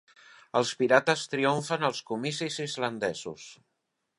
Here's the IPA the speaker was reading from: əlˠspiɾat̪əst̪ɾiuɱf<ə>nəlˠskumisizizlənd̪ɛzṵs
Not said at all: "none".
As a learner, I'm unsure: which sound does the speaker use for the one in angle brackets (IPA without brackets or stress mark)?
ə